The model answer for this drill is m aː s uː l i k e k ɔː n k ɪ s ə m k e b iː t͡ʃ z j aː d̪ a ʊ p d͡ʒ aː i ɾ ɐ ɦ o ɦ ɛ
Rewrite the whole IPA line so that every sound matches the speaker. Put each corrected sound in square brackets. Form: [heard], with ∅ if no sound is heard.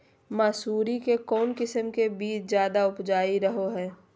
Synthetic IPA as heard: m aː s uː [ɾ] i k e k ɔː n k ɪ s ə m k e b iː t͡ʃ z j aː d̪ a ʊ p d͡ʒ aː i ɾ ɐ ɦ o ɦ [ɛː]